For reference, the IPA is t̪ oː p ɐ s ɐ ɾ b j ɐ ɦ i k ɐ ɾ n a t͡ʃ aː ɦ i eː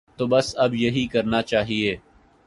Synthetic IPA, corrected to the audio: t̪ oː b ɐ s ɐ b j ɐ ɦ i k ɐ ɾ n a t͡ʃ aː ɦ i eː